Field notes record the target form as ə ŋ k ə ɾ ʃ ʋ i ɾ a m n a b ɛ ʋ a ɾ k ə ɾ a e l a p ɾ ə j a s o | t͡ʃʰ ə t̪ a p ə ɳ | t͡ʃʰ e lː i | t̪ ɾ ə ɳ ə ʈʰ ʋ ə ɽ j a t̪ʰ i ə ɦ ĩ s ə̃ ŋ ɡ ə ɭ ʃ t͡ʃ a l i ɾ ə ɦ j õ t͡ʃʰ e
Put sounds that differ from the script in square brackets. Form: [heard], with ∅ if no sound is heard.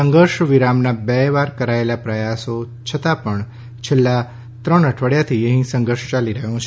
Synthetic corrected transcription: ə ŋ [ɡ] ə ɾ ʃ ʋ i ɾ a m n a b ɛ ʋ a ɾ k ə ɾ a e l a p ɾ ə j a s o | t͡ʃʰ ə t̪ a p ə ɳ | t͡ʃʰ e lː [a] | t̪ ɾ ə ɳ ə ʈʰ ʋ ə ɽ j a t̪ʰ i ə ɦ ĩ s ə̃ ŋ ɡ ə [ɾ] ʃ t͡ʃ a l i ɾ ə ɦ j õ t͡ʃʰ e